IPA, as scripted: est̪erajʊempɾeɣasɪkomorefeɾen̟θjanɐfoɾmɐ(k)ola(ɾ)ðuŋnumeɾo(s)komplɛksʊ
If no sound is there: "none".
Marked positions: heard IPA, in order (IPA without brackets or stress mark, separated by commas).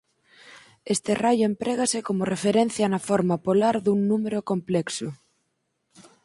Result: p, ɾ, none